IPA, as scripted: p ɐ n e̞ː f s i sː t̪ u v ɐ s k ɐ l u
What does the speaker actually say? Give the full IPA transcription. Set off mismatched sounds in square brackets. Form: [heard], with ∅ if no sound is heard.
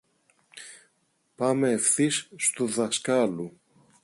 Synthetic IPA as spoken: p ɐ [m] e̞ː f [θ] i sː t̪ u [ð] ɐ s k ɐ l u